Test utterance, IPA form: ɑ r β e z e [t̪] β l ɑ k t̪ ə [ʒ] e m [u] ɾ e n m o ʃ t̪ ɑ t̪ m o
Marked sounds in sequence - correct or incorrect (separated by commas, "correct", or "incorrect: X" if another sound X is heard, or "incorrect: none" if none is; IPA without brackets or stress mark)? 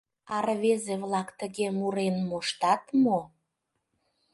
incorrect: none, incorrect: ɣ, correct